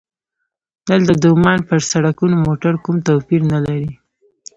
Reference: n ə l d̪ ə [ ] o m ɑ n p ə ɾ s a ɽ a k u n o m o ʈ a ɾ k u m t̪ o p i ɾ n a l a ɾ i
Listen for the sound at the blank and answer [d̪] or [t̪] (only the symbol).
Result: d̪